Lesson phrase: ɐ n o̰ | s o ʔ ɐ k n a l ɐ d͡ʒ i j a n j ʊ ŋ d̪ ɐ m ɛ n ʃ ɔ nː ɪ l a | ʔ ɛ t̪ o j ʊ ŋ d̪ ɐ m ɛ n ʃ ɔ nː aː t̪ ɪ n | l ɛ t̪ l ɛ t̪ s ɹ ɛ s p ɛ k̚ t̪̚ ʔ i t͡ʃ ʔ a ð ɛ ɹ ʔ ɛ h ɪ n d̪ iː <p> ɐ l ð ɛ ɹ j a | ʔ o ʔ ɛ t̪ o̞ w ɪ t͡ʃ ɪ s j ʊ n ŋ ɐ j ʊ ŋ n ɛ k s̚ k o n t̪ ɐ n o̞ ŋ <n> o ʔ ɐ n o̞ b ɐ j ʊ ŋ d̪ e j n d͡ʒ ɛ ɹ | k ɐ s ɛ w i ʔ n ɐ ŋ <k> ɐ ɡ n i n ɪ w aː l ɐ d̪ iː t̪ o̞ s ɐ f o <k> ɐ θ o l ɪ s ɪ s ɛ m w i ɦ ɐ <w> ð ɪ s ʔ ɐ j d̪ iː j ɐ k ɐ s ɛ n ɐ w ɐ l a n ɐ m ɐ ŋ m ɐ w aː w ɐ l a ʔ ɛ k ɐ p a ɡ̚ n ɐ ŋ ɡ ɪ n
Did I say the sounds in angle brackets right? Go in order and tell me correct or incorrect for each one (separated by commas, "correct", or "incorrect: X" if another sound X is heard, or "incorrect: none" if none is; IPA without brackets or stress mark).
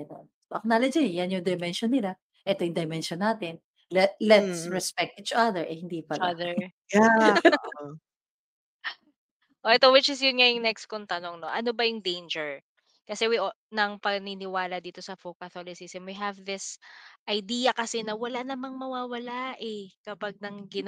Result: correct, correct, incorrect: p, correct, incorrect: v